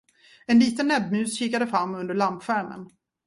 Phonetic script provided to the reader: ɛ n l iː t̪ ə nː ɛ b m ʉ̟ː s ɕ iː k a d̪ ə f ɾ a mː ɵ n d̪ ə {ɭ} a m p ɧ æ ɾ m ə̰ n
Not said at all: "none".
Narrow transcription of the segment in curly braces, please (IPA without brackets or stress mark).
ɭ